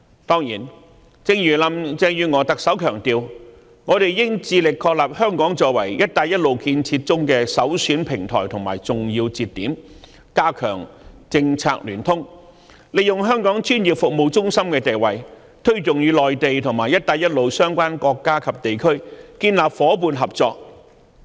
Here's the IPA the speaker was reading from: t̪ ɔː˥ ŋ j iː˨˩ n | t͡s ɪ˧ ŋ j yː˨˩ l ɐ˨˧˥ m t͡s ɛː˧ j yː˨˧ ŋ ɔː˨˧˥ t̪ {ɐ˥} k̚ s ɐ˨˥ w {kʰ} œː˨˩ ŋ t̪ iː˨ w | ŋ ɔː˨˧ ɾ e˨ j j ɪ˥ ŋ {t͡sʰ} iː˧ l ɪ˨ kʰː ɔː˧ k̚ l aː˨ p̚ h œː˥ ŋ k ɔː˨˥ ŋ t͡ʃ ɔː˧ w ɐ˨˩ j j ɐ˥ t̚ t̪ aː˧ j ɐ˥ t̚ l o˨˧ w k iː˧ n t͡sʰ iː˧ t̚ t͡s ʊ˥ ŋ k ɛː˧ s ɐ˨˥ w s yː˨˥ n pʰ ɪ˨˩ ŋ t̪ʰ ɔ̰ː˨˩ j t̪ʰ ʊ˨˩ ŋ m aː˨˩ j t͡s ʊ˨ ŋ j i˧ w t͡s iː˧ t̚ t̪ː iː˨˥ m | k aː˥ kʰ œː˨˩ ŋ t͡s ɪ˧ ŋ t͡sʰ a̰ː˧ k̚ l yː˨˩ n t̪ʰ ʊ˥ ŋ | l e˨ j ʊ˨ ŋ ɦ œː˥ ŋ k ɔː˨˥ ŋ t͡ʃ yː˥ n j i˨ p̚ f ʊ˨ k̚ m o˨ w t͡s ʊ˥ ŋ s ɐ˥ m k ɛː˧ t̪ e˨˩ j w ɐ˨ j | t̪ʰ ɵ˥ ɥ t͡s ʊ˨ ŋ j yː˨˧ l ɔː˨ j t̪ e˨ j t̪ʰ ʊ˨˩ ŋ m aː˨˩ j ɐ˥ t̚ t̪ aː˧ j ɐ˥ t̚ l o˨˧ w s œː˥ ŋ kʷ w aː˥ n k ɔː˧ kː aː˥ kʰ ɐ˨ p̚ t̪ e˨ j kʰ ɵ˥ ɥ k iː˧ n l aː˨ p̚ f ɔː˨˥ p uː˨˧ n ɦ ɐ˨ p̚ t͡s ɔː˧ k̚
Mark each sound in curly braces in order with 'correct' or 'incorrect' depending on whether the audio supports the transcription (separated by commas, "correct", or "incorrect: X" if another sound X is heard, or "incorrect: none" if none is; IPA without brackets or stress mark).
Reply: incorrect: ɐ˨, correct, incorrect: t͡s